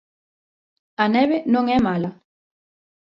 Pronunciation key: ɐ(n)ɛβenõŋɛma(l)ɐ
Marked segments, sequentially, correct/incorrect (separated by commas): correct, correct